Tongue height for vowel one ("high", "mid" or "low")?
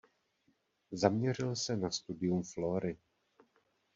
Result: low